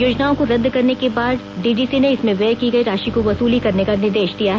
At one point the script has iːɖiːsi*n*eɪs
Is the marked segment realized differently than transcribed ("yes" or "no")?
no